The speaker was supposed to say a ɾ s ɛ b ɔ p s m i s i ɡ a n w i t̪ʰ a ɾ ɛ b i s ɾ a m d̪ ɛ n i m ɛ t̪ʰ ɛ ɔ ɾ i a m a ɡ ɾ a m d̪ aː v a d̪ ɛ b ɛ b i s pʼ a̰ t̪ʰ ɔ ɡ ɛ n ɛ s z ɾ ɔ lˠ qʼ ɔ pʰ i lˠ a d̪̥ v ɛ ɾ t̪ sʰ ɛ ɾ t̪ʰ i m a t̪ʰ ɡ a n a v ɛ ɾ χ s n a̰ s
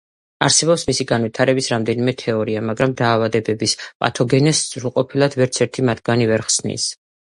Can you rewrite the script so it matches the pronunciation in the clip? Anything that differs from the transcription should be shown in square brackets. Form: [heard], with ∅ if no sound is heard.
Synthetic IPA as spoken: a ɾ s ɛ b ɔ p s m i s i ɡ a n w i t̪ʰ a ɾ ɛ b i s ɾ a m d̪ ɛ n i m ɛ t̪ʰ ɛ ɔ ɾ i a m a ɡ ɾ a m d̪ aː v a d̪ ɛ b ɛ b i s pʼ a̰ t̪ʰ ɔ ɡ ɛ n ɛ s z ɾ [u] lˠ qʼ ɔ pʰ i lˠ a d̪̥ v ɛ ɾ t̪ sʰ ɛ ɾ t̪ʰ i m a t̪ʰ ɡ a n [i] v ɛ ɾ χ s n [ḭ] s